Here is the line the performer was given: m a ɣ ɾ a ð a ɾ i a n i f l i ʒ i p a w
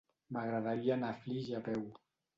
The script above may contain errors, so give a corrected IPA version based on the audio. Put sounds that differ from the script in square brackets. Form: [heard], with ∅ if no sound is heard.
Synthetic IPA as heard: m a ɣ ɾ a ð a ɾ i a n [a] f l i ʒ [a] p [ɛ] w